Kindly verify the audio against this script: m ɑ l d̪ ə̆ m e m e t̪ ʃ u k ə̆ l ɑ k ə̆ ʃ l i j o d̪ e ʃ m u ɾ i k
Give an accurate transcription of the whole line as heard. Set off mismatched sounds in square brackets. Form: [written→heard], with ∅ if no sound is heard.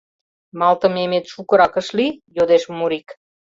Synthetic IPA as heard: m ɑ l [d̪→t̪] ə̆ m e m e t̪ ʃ u k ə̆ [l→ɾ] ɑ k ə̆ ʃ l i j o d̪ e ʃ m u ɾ i k